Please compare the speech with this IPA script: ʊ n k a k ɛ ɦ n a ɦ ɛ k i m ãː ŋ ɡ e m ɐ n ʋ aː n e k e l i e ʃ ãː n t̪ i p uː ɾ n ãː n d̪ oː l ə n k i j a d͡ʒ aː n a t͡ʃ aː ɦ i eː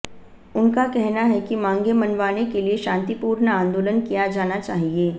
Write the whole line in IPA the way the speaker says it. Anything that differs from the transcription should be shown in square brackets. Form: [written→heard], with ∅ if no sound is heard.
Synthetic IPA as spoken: ʊ n k a k ɛ ɦ n a ɦ ɛ k i m ãː ŋ ɡ e m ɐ n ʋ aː n e k e l i e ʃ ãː n t̪ i p uː ɾ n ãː n d̪ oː l ə n k i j a d͡ʒ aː n a t͡ʃ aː ɦ i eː